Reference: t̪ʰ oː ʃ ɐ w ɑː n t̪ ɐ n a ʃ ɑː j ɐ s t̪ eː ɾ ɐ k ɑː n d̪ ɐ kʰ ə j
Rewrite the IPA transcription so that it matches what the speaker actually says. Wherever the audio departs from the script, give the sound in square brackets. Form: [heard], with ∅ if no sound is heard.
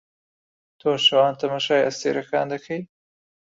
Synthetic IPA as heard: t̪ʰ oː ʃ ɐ w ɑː n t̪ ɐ [m] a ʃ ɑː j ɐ s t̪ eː ɾ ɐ k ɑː n d̪ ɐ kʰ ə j